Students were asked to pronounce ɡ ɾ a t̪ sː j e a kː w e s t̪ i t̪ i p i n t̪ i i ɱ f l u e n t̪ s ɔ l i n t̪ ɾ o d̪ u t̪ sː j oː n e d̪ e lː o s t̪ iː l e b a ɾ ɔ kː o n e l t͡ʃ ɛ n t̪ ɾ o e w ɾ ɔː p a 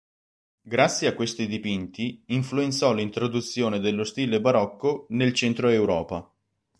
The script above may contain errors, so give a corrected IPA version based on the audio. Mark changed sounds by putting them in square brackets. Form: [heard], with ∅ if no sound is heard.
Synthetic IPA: ɡ ɾ a t̪ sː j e a kː w e s t̪ i [d̪] i p i n t̪ i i ɱ f l u e n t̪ s ɔ l i n t̪ ɾ o d̪ u t̪ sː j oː n e d̪ e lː o s t̪ iː l e b a ɾ ɔ kː o n e l t͡ʃ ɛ n t̪ ɾ o e w ɾ ɔː p a